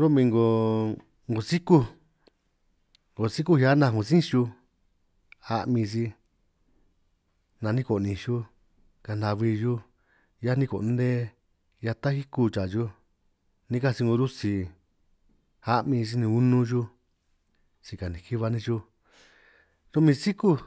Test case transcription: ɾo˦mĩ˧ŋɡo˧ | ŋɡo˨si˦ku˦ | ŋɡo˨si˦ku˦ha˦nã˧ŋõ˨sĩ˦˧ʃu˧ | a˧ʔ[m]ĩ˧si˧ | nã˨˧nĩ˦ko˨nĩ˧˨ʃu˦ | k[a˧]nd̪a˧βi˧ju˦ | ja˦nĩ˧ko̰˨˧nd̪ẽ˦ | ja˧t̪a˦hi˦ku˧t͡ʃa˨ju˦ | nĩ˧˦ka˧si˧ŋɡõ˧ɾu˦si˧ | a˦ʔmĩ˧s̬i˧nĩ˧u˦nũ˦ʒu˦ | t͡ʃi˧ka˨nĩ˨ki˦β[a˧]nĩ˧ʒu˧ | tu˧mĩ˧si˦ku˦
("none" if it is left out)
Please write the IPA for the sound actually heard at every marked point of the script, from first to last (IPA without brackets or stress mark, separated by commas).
m, a˧, a˧